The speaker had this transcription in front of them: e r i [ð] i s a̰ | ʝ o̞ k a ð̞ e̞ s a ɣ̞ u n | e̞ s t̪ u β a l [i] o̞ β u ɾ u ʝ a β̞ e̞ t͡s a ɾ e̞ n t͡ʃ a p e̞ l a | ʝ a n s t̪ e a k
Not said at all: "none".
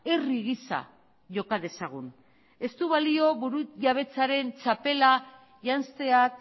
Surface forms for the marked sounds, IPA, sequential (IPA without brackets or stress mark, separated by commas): ɣ, i